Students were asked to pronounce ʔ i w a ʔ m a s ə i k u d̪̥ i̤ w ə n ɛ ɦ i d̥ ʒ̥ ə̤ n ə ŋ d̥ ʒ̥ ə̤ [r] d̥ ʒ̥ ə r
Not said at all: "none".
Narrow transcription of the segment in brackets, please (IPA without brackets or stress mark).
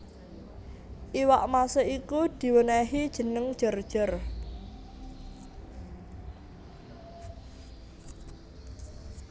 r